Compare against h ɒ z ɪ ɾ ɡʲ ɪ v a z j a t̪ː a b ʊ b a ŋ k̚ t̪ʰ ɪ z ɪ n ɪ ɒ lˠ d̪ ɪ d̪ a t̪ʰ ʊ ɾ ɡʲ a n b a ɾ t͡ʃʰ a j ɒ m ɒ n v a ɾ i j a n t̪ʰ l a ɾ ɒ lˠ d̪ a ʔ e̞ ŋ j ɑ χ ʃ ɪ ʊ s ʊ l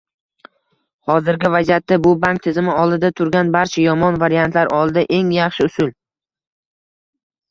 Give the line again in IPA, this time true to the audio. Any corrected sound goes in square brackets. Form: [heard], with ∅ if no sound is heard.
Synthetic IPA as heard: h ɒ z ɪ ɾ ɡʲ ɪ v a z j a t̪ː a b ʊ b a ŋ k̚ t̪ʰ ɪ z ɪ [m] ɪ ɒ lˠ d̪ ɪ d̪ a t̪ʰ ʊ ɾ ɡʲ a n b a ɾ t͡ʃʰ a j ɒ m ɒ n v a ɾ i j a n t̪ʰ l a ɾ ɒ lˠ d̪ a ʔ e̞ ŋ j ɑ χ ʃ ɪ ʊ s ʊ l